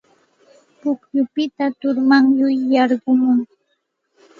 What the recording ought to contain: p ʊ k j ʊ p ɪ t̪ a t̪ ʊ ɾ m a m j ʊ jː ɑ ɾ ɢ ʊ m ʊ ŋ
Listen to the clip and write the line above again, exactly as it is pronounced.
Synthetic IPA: p ʊ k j ʊ p ɪ t̪ a t̪ ʊ ɾ m a ŋ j ʊ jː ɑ ɾ ɢ ʊ m ʊ ŋ